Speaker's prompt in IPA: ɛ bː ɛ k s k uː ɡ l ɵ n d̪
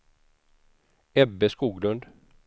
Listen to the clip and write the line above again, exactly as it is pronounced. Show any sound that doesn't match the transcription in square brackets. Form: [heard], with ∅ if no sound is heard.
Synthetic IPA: ɛ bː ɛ [∅] s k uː ɡ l ɵ n d̪